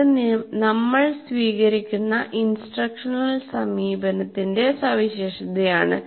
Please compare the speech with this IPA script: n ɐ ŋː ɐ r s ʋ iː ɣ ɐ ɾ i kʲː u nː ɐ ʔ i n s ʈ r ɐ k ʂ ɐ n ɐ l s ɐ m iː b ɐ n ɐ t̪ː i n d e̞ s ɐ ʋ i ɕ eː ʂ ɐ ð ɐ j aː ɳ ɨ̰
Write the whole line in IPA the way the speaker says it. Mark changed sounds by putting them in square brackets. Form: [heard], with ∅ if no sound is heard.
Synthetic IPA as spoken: n ɐ [mː] ɐ [ɭ] s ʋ iː ɣ ɐ ɾ i kʲː u nː ɐ ʔ i n s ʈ r ɐ k ʂ ɐ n ɐ l s ɐ m iː b ɐ n ɐ t̪ː i n d e̞ s ɐ ʋ i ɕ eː ʂ ɐ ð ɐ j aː ɳ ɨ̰